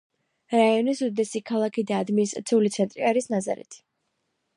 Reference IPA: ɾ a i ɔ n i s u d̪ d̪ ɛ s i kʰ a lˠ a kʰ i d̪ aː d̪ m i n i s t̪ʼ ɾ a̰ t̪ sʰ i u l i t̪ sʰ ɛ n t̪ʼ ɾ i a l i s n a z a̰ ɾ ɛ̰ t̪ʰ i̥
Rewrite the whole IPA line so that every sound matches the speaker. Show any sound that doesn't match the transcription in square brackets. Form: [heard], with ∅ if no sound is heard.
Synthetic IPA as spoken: ɾ a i ɔ n i s u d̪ d̪ ɛ s i kʰ a lˠ a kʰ i d̪ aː d̪ m i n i s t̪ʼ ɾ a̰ t̪ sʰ i u l i t̪ sʰ ɛ n t̪ʼ ɾ i a [ɾ] i s n a z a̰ ɾ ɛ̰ t̪ʰ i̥